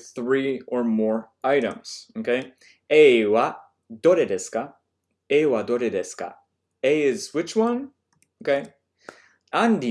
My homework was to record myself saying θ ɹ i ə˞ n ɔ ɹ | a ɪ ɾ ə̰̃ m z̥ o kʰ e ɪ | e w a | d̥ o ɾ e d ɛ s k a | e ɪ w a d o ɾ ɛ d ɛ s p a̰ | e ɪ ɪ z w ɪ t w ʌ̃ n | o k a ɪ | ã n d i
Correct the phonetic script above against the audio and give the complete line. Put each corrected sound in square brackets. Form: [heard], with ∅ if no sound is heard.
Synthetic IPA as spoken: θ ɹ i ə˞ [m] ɔ ɹ | a ɪ ɾ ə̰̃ m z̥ o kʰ e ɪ | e w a | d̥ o ɾ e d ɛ s k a | e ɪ w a d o ɾ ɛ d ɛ s [k] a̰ | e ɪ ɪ z w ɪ [t͡ʃ] w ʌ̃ n | o k [e] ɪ | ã n d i